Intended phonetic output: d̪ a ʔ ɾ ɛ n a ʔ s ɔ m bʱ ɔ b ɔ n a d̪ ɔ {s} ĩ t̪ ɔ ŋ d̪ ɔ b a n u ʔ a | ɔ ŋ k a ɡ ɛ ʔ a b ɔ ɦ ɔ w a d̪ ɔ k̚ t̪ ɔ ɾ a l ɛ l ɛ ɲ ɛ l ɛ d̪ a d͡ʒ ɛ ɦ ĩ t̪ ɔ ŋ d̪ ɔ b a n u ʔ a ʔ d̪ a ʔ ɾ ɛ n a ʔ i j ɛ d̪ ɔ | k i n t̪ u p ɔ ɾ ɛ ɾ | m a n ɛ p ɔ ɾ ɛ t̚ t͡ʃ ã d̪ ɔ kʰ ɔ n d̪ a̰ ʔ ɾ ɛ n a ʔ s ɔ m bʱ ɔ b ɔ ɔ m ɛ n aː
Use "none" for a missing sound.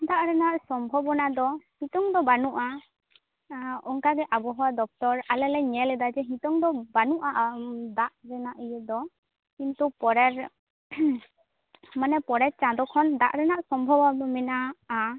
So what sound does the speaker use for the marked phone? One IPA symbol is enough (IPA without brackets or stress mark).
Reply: h